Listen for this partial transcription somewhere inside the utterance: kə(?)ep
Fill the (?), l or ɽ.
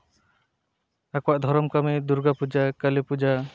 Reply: l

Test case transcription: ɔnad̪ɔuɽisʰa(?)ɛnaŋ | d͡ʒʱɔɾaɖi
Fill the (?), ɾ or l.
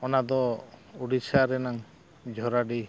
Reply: ɾ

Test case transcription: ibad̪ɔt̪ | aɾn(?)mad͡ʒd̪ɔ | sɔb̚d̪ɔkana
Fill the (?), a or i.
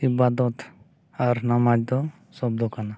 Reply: a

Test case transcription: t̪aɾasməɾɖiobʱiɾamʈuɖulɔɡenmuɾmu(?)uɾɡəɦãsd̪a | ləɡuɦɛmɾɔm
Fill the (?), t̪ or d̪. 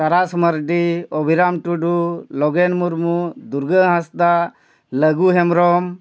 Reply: d̪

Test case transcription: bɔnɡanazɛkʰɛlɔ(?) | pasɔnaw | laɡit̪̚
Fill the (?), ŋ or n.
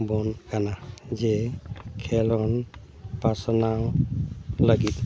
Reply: n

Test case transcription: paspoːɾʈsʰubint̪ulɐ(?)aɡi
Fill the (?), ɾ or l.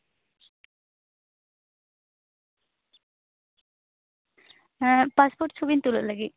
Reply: l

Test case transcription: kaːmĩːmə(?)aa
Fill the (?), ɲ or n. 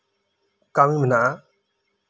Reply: n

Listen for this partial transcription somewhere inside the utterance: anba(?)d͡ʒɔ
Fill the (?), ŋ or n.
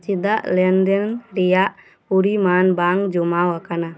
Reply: ŋ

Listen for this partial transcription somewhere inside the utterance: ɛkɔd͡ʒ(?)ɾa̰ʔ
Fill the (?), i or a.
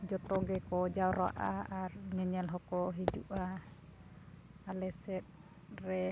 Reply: a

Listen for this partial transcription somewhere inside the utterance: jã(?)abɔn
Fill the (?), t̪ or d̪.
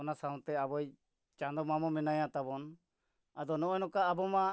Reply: t̪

